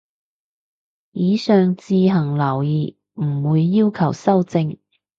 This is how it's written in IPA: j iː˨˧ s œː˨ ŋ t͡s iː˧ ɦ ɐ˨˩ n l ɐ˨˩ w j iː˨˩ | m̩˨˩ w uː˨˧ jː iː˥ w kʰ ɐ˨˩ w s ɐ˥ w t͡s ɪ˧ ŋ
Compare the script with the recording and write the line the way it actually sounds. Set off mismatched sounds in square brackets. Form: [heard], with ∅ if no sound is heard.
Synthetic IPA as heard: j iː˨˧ s œː˨ ŋ t͡s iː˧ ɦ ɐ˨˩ [ŋ] l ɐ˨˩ w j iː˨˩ | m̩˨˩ w uː˨˧ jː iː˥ w kʰ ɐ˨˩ w s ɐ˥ w t͡s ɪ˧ ŋ